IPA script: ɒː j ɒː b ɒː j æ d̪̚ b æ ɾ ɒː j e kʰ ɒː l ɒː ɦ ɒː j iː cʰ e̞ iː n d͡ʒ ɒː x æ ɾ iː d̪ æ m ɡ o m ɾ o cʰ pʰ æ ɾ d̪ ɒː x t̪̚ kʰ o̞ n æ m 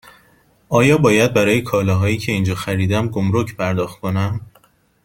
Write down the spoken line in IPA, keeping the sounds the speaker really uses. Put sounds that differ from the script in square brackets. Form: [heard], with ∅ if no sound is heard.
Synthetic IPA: ɒː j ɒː b ɒː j æ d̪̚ b æ ɾ ɒː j e kʰ ɒː l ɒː ɦ ɒː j iː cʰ e̞ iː n d͡ʒ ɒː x æ ɾ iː d̪ æ m ɡ o m ɾ o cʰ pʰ æ ɾ d̪ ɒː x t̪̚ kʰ o̞ n æ m